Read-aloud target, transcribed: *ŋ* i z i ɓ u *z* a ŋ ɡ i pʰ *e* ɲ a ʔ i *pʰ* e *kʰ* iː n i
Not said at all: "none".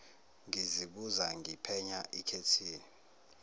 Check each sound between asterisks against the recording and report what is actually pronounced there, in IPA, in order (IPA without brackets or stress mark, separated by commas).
ŋ, z, ɛ, kʰ, tʰ